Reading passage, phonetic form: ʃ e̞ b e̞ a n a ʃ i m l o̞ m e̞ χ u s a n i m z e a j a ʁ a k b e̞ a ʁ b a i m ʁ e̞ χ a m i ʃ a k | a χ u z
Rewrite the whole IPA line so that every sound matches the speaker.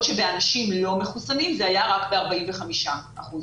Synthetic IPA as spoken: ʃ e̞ b e̞ a n a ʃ i m l o̞ m e̞ χ u s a n i m z e a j a ʁ a k b e̞ a ʁ b a i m v e̞ χ a m i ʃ a | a χ u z